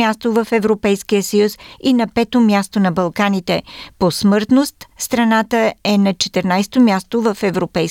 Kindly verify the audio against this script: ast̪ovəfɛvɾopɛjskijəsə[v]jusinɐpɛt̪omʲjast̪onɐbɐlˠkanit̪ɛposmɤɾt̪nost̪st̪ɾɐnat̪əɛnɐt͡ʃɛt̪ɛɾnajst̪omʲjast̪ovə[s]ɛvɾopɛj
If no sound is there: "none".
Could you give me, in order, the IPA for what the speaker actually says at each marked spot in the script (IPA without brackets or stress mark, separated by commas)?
none, f